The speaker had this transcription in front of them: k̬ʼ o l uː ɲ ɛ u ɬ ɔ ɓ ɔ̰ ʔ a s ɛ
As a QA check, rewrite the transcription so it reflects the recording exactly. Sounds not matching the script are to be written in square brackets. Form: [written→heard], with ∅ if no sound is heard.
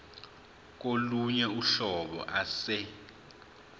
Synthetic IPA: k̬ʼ o l [uː→u] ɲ ɛ u ɬ ɔ ɓ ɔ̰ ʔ a s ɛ